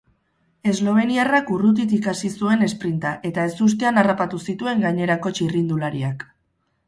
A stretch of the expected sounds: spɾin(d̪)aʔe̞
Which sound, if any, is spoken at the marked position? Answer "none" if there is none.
t̪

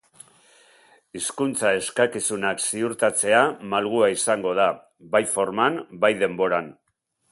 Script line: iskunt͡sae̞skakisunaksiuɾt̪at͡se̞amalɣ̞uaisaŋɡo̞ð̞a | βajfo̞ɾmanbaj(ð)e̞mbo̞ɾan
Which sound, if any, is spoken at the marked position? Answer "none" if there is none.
ð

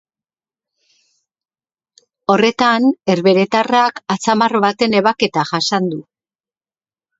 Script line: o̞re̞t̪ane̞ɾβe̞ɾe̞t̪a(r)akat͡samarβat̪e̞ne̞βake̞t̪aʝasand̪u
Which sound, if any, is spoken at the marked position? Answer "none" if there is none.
r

